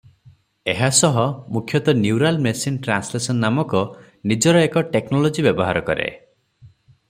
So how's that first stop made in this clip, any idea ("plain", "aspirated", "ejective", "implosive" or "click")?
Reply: aspirated